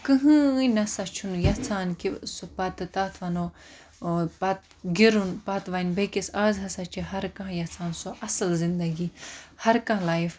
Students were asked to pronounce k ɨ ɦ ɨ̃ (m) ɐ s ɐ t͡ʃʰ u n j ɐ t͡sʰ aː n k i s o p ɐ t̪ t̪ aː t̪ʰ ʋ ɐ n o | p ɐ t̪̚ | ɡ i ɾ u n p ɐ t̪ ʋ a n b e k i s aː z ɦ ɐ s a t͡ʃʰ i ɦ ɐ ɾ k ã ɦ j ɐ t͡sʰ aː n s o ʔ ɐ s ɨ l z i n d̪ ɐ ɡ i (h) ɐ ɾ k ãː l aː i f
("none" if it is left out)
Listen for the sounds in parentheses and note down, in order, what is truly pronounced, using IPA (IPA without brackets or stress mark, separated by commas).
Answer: n, h